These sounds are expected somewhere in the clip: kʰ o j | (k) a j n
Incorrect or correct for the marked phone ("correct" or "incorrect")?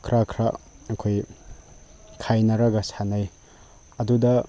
incorrect